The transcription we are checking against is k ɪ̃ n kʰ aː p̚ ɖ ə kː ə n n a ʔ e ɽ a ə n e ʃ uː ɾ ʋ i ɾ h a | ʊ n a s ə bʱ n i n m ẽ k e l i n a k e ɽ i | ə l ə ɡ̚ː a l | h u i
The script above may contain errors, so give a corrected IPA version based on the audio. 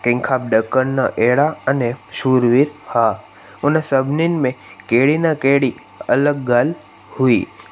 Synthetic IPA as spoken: k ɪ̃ ŋ kʰ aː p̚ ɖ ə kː ə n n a ʔ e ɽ a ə n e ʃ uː ɾ ʋ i ɾ h a | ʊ n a s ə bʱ n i n m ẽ k e ɽ i n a k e ɽ i | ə l ə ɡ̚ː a l | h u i